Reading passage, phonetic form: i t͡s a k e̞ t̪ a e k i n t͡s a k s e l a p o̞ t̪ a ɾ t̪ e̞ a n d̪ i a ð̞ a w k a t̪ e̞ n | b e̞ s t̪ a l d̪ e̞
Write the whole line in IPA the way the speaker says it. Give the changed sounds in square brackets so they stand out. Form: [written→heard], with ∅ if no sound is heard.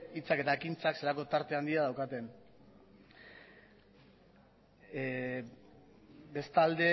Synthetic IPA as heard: i t͡s a k e̞ t̪ a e k i n t͡s a k s e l a [p→k] o̞ t̪ a ɾ t̪ e̞ a n d̪ i a ð̞ a w k a t̪ e̞ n | b e̞ s t̪ a l d̪ e̞